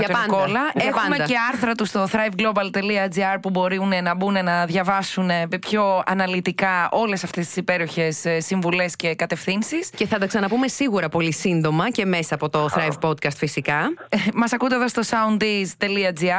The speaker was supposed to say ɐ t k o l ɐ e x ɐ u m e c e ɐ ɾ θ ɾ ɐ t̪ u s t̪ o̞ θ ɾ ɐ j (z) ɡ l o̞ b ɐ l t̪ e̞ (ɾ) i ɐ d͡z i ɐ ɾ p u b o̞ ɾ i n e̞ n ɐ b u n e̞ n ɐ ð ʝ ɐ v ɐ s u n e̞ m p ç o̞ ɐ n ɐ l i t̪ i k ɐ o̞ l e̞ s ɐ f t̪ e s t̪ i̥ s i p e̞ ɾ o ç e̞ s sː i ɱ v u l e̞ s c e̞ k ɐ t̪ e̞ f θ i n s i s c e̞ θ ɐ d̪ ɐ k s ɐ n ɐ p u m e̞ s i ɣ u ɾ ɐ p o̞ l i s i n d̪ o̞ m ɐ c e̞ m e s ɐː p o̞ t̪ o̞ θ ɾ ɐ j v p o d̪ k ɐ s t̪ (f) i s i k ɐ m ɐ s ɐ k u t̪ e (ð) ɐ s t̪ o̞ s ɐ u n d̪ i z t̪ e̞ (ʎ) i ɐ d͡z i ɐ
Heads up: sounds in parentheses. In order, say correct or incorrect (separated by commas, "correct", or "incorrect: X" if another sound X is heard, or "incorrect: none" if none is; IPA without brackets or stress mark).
incorrect: v, incorrect: l, correct, correct, incorrect: l